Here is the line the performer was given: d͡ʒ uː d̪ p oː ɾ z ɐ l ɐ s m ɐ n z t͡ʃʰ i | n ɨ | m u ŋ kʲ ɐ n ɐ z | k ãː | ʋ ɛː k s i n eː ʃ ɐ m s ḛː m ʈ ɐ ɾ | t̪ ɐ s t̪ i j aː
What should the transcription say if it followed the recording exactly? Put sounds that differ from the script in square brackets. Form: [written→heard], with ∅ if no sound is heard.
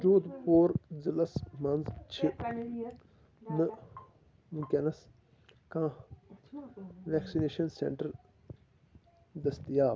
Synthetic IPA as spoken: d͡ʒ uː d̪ p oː ɾ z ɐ l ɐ s m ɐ n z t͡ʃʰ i | n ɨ | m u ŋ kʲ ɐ n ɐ [z→s] | k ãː | ʋ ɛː k s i n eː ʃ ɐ [m→n] s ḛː [m→ɳ] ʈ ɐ ɾ | [t̪→d̪] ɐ s t̪ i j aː

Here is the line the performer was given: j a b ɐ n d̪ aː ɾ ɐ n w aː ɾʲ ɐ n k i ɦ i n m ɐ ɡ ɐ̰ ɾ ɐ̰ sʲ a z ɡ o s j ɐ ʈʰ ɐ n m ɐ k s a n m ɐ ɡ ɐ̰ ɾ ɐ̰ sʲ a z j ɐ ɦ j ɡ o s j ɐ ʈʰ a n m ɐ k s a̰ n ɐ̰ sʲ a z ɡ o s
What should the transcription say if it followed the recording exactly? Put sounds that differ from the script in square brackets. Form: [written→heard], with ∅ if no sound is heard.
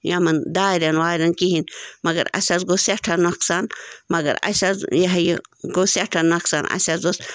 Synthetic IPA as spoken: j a [b→m] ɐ n d̪ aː ɾ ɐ n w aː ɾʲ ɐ n k i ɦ i n m ɐ ɡ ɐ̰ ɾ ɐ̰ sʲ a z ɡ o s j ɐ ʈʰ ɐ n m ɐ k s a n m ɐ ɡ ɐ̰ ɾ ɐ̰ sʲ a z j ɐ ɦ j ɡ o s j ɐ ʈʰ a n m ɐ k s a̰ n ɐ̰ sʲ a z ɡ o s

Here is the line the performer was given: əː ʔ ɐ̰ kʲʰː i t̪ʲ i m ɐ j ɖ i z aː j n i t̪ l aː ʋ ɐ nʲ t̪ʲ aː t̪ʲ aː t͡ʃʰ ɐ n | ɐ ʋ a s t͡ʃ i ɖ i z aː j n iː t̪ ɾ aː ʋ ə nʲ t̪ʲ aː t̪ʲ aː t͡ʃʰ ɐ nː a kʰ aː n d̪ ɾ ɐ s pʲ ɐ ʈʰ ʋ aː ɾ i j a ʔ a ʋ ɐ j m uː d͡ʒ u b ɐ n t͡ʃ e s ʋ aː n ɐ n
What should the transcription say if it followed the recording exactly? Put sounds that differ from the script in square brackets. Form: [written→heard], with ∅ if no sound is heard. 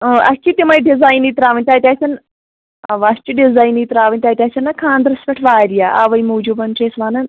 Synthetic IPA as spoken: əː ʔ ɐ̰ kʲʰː i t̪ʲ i m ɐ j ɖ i z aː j n i t̪ [l→ɾ] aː ʋ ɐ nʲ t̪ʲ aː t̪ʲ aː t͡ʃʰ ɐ n | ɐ ʋ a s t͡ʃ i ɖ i z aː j n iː t̪ ɾ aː ʋ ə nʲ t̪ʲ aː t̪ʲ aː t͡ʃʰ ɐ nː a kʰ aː n d̪ ɾ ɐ s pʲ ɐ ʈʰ ʋ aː ɾ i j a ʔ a ʋ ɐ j m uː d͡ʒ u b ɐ n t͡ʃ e s ʋ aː n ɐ n

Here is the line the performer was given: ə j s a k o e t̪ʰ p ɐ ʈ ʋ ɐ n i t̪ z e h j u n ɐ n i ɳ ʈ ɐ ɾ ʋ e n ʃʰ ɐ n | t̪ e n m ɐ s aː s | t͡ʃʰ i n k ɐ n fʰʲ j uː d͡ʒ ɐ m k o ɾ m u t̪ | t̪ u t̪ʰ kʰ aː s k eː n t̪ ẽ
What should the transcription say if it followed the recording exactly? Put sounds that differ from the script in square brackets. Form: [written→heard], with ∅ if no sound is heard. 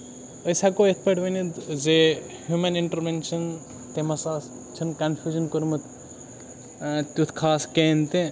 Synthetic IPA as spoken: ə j s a k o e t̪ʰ p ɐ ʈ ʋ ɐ n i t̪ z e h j u [n→m] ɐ n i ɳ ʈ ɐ ɾ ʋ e n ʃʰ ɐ n | t̪ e [n→∅] m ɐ s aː s | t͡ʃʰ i n k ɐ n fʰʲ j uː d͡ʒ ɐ [m→n] k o ɾ m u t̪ | t̪ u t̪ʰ kʰ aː s k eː n t̪ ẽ

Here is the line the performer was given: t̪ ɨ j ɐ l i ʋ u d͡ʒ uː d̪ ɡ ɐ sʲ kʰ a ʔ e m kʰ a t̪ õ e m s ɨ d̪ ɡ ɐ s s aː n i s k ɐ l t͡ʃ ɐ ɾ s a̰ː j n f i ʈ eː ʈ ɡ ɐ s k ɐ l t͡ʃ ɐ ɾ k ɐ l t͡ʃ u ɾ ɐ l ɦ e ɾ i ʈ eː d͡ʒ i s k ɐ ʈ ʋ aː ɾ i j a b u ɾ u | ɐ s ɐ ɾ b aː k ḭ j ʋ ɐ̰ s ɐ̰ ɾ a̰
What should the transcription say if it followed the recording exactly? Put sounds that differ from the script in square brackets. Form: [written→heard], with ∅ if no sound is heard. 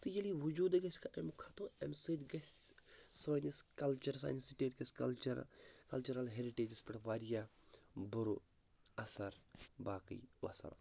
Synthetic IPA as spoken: t̪ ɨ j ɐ l i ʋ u d͡ʒ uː d̪ ɡ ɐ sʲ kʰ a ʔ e m kʰ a t̪ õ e m s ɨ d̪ ɡ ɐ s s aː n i s k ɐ l t͡ʃ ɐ ɾ s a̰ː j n [f→s] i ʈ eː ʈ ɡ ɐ s k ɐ l t͡ʃ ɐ ɾ k ɐ l t͡ʃ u ɾ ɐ l ɦ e ɾ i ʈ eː d͡ʒ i s [k→p] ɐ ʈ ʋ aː ɾ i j a b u ɾ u | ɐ s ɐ ɾ b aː k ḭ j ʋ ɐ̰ s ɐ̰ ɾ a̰

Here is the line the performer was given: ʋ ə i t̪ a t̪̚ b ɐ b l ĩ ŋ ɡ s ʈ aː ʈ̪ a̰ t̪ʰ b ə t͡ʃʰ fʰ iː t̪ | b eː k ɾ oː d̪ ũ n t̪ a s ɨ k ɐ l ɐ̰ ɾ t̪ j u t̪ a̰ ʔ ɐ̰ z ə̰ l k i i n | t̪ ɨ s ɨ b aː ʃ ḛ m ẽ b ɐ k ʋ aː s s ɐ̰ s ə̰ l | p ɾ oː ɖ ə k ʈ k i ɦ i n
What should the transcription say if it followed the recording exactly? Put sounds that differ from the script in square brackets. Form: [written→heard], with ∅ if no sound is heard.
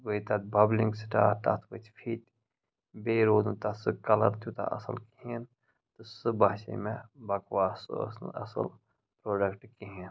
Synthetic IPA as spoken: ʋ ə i t̪ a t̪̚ b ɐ b l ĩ ŋ ɡ s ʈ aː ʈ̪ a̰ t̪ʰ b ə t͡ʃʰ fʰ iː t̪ | b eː [k→∅] ɾ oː d̪ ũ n t̪ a s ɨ k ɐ l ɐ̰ ɾ t̪ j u t̪ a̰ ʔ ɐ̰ [z→s] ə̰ l k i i n | t̪ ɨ s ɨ b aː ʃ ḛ m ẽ b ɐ k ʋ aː s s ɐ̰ s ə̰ l | p ɾ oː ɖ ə k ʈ k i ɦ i n

